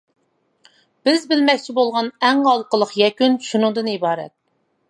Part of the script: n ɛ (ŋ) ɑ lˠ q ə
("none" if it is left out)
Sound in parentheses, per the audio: ŋ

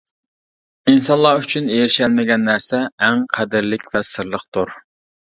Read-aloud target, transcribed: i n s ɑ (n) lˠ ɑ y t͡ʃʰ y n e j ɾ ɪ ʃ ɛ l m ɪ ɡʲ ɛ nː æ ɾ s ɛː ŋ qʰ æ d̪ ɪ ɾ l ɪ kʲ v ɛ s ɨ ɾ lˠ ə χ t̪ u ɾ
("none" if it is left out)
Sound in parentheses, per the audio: n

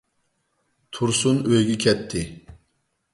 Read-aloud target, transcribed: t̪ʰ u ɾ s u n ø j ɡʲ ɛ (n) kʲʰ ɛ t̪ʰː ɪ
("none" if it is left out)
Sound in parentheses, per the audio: none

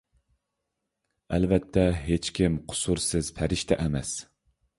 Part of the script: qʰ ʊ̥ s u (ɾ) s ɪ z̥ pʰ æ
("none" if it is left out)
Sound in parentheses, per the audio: ɾ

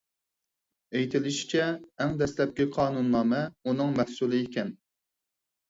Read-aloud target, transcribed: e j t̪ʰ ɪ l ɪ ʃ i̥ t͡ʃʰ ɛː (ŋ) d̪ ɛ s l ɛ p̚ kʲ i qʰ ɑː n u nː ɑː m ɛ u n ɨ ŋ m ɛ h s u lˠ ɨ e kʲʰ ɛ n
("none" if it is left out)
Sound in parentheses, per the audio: ŋ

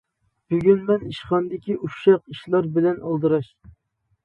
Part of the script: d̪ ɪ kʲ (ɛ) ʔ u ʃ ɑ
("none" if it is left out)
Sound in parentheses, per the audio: i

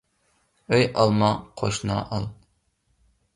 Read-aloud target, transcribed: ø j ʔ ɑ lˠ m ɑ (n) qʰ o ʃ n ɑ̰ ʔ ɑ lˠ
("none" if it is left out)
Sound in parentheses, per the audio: none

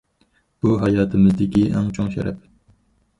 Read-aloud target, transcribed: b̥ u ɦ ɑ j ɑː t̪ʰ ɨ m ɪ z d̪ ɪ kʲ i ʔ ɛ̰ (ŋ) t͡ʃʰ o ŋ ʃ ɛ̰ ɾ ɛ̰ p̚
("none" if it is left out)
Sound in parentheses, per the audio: ŋ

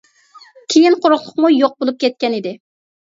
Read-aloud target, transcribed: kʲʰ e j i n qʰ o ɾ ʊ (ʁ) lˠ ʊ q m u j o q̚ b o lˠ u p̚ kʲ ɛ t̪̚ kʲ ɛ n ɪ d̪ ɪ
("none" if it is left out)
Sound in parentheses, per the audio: χ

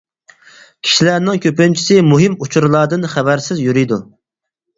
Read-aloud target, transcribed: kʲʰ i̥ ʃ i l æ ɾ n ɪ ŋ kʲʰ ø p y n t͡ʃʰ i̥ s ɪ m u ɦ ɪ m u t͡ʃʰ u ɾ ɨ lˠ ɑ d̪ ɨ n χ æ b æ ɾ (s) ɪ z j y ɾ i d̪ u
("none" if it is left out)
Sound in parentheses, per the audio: s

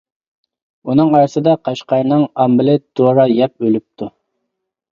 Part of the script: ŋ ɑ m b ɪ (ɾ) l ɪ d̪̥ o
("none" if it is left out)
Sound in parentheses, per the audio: none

